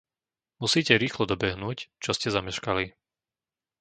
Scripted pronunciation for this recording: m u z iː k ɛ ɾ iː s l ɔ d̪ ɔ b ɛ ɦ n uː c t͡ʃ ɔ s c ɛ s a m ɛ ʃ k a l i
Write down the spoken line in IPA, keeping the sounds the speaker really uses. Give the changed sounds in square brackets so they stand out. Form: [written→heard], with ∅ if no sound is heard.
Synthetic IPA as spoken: m u [z→s] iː [k→c] ɛ ɾ iː [s→x] l ɔ d̪ ɔ b ɛ ɦ n uː c t͡ʃ ɔ s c ɛ [s→z] a m ɛ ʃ k a l i